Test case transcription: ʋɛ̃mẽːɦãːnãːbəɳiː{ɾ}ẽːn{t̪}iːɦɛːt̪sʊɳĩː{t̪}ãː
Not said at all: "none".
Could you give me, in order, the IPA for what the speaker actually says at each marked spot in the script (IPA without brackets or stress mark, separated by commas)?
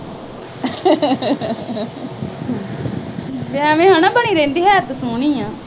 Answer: ɾ, d̪, none